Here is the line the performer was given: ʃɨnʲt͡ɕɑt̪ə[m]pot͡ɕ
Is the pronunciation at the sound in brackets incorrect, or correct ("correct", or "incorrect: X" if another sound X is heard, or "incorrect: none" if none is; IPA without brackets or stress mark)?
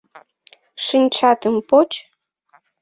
correct